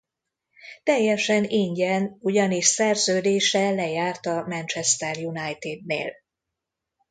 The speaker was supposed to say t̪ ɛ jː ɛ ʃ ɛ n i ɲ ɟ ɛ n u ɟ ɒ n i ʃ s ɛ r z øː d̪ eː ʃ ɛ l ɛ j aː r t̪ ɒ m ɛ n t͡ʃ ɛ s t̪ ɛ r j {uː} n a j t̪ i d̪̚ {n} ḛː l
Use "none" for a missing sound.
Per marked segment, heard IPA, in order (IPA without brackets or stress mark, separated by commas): u, n